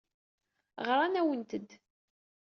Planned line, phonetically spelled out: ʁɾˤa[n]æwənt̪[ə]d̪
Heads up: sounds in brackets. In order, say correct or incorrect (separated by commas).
correct, correct